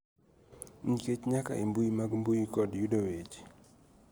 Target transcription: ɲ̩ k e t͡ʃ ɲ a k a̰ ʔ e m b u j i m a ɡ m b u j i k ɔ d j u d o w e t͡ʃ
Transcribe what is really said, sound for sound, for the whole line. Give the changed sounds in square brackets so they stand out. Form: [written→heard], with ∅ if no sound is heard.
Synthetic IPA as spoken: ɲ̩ k e t͡ʃ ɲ a k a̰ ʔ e m b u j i m a ɡ m b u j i k ɔ d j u d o w e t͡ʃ